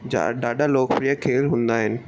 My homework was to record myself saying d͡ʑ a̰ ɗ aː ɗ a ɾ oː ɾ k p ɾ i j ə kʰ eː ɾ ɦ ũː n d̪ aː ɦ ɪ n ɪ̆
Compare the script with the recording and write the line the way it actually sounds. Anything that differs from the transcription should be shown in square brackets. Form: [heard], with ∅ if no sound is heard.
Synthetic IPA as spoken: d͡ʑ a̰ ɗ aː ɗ a [l] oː [∅] k p ɾ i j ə kʰ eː [l] ɦ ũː n d̪ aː ɦ ɪ n ɪ̆